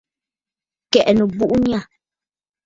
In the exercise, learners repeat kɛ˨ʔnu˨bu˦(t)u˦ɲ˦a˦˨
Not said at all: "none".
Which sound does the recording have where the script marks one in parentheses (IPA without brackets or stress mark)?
ʔ